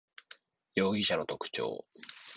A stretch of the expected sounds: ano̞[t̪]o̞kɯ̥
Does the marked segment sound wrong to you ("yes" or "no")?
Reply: no